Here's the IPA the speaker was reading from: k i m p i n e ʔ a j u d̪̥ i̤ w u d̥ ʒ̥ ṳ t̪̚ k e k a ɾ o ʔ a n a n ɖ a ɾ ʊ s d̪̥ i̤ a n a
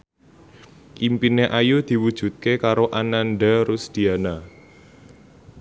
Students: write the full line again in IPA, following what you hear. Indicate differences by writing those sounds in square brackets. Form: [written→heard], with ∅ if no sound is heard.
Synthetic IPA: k i m p i n e ʔ a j u d̪̥ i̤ w u d̥ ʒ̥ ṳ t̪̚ k e k a ɾ o ʔ a n a n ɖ a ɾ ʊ s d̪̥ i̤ a n a